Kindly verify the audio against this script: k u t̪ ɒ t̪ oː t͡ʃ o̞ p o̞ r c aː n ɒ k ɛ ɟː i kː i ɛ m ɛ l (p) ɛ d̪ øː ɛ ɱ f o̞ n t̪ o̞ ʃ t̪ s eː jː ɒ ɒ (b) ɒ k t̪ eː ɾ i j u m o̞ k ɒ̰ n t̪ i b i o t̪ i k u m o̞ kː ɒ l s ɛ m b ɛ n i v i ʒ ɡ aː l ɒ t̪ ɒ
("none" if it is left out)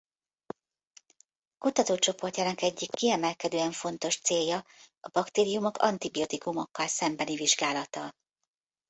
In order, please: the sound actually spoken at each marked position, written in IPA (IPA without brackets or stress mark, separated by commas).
k, b